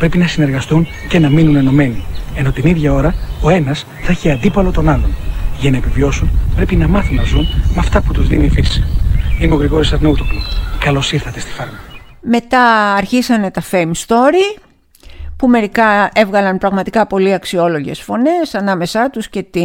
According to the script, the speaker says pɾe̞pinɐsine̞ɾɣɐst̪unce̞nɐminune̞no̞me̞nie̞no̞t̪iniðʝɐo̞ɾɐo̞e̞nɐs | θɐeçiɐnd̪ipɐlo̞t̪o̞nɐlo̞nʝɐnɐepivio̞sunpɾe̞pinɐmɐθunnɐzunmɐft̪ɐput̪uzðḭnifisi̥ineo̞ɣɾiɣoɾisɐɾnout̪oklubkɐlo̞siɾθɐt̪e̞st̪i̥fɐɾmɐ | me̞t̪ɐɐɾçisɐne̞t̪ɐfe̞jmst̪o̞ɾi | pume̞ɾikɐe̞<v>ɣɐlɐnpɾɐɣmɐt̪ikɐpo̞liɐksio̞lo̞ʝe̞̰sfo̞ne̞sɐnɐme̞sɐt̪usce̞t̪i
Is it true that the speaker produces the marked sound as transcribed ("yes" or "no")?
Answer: yes